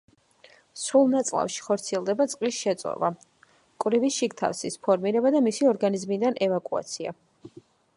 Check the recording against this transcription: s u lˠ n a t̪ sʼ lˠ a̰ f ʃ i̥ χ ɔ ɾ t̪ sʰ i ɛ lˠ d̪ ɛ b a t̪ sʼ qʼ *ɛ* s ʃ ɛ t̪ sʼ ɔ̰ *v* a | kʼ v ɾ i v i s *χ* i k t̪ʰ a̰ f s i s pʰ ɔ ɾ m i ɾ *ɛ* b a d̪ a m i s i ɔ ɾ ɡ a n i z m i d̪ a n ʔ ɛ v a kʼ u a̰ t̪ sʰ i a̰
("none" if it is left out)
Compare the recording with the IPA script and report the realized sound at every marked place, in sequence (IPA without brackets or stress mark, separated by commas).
i, v, ʃ, ɛ